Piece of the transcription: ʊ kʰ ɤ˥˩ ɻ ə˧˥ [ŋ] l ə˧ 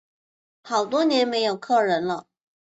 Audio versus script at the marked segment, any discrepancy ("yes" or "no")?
yes